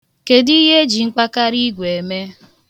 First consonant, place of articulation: velar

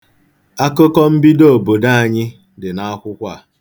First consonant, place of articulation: velar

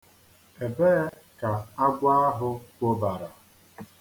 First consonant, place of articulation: labial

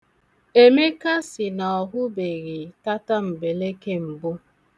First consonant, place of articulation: labial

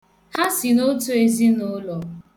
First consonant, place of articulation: glottal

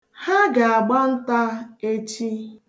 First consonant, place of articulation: glottal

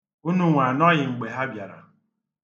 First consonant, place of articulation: alveolar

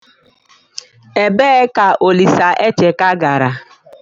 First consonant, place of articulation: labial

